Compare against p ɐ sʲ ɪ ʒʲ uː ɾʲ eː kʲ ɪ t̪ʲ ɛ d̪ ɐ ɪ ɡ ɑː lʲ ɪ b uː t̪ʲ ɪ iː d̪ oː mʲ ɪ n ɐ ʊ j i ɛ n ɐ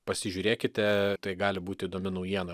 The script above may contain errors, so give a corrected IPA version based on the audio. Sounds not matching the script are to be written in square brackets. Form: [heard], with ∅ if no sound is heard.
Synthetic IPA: p ɐ sʲ ɪ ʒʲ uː ɾʲ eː kʲ ɪ t̪ʲ ɛ [t̪] ɐ ɪ ɡ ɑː lʲ ɪ b uː t̪ʲ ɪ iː d̪ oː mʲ ɪ n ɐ ʊ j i ɛ n ɐ